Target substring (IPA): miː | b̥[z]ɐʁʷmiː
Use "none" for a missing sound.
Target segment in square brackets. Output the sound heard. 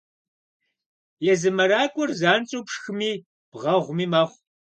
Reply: ʁ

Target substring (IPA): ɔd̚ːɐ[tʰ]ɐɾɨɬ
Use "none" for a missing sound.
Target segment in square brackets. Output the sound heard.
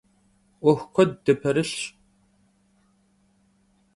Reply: pʰ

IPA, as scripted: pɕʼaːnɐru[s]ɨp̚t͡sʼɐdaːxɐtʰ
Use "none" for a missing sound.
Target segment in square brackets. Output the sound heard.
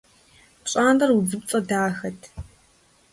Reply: z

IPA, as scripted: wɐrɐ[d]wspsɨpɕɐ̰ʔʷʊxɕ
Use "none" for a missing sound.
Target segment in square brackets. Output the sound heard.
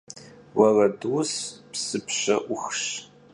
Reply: d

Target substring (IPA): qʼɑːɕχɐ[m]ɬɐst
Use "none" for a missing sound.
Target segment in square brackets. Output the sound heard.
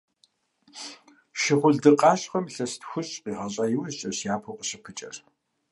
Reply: m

